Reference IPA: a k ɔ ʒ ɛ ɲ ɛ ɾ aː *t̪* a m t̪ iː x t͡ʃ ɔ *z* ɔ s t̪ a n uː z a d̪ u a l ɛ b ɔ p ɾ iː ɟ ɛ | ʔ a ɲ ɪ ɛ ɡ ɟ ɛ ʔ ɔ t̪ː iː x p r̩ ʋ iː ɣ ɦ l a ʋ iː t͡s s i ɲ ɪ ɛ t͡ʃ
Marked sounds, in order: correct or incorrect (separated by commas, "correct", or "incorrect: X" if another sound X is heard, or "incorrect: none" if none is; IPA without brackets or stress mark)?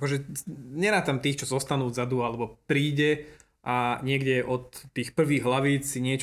correct, correct